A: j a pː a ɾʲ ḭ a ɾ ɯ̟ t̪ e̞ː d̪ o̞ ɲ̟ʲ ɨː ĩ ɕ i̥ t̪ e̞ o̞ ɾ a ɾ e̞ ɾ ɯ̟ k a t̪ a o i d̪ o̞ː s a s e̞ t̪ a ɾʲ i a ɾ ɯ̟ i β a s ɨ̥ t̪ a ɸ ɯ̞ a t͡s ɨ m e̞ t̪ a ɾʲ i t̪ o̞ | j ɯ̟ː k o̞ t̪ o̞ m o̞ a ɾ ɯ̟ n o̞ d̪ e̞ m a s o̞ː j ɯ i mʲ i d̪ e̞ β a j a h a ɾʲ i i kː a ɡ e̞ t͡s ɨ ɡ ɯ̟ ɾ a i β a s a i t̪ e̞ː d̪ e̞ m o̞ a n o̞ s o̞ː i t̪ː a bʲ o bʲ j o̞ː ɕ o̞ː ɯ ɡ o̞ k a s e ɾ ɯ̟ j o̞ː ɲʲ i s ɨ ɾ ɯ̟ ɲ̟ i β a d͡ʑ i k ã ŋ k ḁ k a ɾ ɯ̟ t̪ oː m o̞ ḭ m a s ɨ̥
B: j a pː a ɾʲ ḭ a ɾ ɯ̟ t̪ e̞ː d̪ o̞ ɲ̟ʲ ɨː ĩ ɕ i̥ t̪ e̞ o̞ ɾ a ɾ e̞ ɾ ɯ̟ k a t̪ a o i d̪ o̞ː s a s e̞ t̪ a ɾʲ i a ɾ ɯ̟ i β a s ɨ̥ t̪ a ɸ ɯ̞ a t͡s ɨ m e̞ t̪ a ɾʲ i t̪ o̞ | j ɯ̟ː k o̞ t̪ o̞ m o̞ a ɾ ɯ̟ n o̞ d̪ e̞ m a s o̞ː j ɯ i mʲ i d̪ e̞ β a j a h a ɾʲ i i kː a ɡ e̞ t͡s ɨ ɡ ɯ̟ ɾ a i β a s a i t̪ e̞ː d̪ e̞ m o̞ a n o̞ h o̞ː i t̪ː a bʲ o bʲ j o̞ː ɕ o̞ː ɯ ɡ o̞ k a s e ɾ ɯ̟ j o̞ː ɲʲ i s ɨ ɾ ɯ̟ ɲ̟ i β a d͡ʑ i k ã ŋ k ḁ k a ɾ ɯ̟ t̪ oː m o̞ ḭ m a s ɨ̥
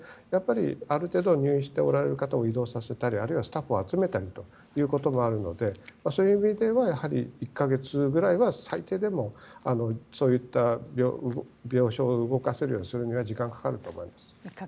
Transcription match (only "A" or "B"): A